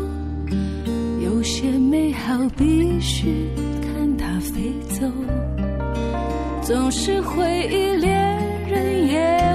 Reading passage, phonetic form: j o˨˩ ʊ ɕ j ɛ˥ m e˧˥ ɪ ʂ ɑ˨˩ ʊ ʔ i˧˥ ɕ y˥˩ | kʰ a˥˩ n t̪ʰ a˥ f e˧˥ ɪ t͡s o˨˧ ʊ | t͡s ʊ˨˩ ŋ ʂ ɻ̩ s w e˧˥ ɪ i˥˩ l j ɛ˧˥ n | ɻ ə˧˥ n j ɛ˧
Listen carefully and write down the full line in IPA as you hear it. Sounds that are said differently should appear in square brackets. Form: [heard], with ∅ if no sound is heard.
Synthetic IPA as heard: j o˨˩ ʊ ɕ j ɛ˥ m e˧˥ ɪ [x] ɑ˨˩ ʊ [p] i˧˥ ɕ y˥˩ | kʰ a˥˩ n t̪ʰ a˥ f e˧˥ ɪ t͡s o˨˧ ʊ | t͡s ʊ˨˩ ŋ ʂ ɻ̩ [x] w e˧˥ ɪ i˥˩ l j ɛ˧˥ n | ɻ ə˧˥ n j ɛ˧